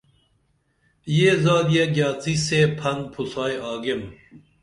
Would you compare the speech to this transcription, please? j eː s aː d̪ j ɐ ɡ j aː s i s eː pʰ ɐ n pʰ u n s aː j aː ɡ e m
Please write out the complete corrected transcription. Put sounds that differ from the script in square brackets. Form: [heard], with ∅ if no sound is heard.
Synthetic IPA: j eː [z] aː d̪ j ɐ ɡ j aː [t͡s] i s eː pʰ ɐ n pʰ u [∅] s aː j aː ɡ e m